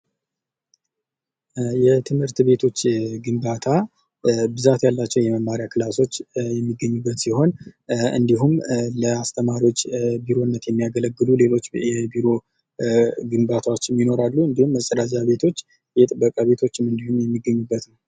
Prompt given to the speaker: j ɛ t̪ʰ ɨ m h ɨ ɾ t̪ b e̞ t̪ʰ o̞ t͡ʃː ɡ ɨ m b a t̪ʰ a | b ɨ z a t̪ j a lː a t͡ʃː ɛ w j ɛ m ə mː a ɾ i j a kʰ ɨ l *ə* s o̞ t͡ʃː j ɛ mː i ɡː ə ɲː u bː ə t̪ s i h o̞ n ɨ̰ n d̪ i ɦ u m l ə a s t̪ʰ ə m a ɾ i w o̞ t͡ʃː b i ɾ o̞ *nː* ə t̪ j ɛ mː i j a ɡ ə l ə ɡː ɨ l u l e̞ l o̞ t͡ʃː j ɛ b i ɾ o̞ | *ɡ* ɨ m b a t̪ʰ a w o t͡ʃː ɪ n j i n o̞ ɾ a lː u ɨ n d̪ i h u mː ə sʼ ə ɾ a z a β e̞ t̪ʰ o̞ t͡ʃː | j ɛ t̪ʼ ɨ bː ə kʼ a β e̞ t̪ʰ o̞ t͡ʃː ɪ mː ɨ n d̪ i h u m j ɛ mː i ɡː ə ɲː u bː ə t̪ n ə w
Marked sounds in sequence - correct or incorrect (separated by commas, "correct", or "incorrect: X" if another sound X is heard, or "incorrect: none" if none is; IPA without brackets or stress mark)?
incorrect: a, correct, correct